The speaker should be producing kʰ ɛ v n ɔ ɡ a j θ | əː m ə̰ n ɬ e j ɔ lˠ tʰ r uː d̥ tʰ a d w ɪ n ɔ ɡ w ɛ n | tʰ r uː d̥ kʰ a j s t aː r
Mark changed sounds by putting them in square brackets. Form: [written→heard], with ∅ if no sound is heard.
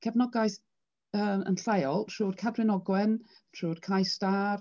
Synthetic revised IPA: kʰ ɛ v n ɔ ɡ a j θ | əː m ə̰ n ɬ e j ɔ lˠ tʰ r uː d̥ [tʰ→kʰ] a d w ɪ n ɔ ɡ w ɛ n | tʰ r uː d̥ kʰ a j s t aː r